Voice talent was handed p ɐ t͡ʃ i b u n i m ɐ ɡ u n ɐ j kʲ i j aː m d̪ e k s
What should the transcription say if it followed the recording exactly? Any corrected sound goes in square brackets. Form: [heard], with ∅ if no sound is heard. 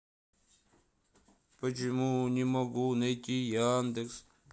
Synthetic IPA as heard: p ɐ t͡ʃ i [m] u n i m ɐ ɡ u n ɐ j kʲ i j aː [n] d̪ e k s